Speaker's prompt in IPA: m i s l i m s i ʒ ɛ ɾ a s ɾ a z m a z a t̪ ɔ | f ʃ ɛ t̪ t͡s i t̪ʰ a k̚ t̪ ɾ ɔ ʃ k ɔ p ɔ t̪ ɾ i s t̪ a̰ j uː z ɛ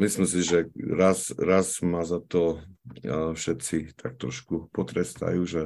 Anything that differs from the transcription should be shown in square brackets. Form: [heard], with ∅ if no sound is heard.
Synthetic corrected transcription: m i s l i m s i ʒ ɛ ɾ a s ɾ a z m a z a t̪ ɔ | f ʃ ɛ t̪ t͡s i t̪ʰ a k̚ t̪ ɾ ɔ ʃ k [u] p ɔ t̪ ɾ [ɛ] s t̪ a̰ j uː [ʒ] ɛ